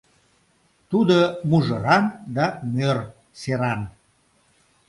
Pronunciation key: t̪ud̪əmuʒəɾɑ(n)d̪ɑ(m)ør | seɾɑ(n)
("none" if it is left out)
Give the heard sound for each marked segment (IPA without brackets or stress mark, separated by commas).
n, m, n